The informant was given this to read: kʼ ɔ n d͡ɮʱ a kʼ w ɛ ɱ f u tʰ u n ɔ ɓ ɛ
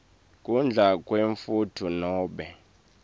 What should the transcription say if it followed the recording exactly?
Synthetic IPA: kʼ u n d͡ɮʱ a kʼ w e ɱ f u tʰ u n ɔː ɓ ɛ